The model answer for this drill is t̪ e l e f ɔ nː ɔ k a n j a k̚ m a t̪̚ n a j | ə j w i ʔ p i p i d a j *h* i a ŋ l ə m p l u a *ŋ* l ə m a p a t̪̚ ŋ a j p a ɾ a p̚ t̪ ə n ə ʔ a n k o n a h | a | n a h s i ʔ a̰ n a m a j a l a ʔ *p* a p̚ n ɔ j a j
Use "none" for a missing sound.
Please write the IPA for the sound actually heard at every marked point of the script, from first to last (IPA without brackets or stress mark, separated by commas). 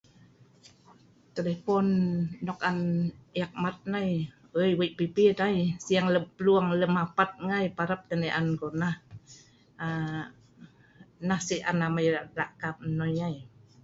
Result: s, ŋ, k